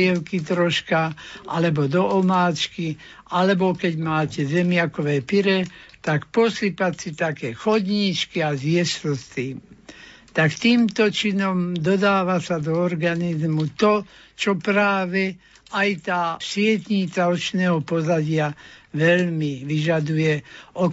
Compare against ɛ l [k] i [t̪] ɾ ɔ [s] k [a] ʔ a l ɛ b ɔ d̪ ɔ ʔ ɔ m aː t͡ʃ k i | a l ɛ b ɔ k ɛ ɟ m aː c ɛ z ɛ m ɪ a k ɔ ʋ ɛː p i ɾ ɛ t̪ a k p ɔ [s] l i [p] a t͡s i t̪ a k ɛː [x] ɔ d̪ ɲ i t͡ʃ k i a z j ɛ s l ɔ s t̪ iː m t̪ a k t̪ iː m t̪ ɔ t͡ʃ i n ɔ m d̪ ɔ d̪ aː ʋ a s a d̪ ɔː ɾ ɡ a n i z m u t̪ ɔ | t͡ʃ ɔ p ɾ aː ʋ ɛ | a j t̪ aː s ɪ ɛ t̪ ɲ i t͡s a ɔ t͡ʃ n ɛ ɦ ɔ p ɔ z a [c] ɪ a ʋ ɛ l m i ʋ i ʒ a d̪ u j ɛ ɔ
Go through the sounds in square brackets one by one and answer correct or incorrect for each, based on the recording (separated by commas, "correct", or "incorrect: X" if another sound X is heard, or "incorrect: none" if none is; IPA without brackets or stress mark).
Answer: correct, correct, incorrect: ʃ, correct, correct, correct, correct, incorrect: ɟ